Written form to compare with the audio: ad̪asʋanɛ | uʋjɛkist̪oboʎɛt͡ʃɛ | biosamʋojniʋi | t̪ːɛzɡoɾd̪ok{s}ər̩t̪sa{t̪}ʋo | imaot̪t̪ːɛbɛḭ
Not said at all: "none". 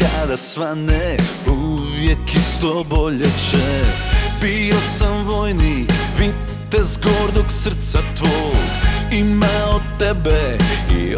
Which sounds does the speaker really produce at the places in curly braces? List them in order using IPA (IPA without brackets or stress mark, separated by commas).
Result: s, t̪